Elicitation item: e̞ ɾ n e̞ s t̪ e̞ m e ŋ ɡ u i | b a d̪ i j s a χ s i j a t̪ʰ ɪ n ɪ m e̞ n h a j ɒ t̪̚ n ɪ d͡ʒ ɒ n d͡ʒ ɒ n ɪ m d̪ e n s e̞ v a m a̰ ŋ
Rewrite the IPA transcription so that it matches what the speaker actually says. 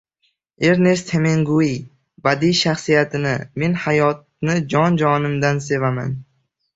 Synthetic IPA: e̞ ɾ n e̞ s t̪ʰ e̞ m e ŋ ɡ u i | b a d̪ i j ʃ a χ s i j a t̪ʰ ɪ n ɪ m e̞ n h a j ɒ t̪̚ n ɪ d͡ʒ ɒ n d͡ʒ ɒ n ɪ m d̪ a n s e̞ v a m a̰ n